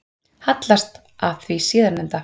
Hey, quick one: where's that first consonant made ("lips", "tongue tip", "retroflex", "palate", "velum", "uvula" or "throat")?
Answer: throat